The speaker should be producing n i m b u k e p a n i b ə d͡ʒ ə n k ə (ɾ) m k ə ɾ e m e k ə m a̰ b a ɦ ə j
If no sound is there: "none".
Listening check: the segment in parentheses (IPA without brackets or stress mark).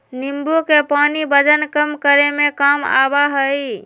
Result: none